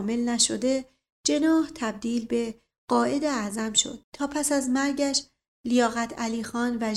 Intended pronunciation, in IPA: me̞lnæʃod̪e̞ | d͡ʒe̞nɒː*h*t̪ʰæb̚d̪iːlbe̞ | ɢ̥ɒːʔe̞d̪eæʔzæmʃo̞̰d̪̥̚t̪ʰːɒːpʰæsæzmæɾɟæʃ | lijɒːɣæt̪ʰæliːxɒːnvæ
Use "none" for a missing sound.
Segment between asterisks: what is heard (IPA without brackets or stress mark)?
h